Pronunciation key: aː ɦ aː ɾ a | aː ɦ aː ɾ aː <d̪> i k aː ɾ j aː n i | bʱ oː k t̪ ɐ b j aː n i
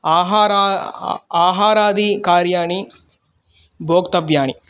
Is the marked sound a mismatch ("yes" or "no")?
no